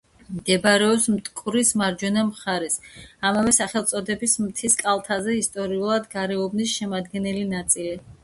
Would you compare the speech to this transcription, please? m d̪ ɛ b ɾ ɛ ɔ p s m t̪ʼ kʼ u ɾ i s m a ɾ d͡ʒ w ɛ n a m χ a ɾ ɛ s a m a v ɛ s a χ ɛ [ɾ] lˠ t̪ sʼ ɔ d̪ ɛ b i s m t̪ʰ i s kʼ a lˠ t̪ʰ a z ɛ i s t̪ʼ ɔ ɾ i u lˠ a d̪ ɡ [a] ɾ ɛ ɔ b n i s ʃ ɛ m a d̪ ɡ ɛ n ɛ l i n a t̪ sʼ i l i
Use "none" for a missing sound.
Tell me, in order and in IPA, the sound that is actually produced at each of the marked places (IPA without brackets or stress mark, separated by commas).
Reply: none, a